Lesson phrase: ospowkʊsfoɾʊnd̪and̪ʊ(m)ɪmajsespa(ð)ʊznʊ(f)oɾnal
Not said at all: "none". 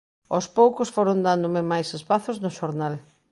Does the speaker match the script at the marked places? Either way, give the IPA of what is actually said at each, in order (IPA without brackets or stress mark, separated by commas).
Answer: m, θ, ʃ